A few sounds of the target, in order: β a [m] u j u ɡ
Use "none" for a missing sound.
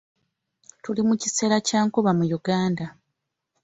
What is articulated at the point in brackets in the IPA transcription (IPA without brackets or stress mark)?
m